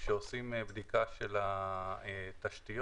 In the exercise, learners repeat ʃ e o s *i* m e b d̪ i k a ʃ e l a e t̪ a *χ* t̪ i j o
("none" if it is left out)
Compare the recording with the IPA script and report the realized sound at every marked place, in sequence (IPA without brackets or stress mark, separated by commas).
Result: i, ʃ